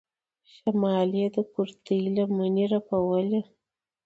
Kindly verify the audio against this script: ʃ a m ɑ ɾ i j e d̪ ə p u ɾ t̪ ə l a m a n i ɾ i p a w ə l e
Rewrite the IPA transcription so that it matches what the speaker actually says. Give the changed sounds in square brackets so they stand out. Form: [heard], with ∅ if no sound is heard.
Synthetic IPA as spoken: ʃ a m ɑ [l] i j e d̪ ə [k] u ɾ t̪ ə l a m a n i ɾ [a] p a w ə l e

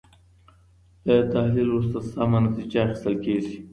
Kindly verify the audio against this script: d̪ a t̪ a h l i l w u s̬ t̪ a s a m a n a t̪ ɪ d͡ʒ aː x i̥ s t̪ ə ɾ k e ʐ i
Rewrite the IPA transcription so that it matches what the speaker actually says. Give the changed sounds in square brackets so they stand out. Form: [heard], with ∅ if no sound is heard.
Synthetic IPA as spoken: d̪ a t̪ a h l i l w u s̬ t̪ a s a m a n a t̪ [i] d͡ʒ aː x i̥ s t̪ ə [l] k e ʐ i

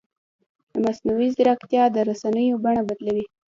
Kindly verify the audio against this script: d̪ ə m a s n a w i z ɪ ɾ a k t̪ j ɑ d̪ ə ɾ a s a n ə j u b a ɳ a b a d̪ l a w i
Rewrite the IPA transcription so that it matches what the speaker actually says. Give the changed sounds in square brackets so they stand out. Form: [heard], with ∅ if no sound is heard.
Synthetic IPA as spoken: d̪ ə m a s n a w i z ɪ ɾ a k t̪ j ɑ d̪ ə ɾ a s a n ə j [o] b a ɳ a b a d̪ l a w i

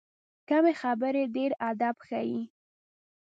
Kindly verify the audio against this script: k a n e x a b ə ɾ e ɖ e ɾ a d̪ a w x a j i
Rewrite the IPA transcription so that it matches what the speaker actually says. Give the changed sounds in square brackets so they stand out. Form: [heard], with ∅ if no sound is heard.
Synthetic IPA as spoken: k a [m] e x a b ə ɾ e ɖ e ɾ a d̪ a [b] x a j i

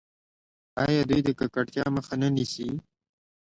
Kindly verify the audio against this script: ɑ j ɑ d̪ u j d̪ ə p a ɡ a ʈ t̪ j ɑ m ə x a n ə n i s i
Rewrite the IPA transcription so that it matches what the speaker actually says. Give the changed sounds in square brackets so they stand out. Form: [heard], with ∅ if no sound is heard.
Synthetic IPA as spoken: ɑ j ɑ d̪ u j d̪ ə [k] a [k] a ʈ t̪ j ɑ m ə x a n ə n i s i

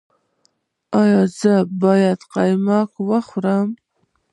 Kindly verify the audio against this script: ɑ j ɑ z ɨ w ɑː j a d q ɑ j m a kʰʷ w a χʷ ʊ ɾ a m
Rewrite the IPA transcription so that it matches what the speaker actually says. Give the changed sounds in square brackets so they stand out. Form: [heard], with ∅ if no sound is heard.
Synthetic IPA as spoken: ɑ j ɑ z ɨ [b] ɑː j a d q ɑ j m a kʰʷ w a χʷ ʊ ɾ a m

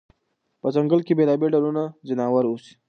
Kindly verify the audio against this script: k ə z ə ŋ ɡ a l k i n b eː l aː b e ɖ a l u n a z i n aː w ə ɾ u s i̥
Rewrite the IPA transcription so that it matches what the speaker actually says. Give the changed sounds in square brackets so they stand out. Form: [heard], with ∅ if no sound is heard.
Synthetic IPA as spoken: [p] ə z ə ŋ ɡ [ə] l k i [∅] b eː l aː b e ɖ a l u n a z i n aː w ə ɾ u s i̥

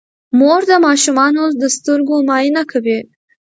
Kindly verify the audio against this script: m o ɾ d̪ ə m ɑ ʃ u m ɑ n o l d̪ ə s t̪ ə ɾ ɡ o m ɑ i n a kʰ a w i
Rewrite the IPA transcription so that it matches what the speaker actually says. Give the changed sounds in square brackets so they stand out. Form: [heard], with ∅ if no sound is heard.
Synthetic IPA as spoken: m o ɾ d̪ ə m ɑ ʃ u m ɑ n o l d̪ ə s t̪ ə ɾ ɡ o m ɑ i n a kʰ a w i

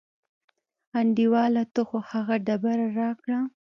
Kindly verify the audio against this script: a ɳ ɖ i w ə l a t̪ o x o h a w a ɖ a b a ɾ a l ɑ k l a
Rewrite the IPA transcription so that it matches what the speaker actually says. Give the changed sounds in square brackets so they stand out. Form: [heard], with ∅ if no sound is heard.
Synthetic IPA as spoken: a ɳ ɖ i w [ɑ] l a t̪ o x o h a [ɣ] a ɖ a b a ɾ a [ɾ] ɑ k [ɽ] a

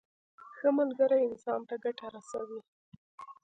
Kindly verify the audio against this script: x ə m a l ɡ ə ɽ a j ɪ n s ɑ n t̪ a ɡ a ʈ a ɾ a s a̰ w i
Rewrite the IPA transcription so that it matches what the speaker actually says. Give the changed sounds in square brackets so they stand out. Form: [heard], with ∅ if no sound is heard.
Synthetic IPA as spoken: x ə m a l ɡ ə [ɾ] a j ɪ n s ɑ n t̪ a ɡ a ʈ a ɾ a s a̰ w i

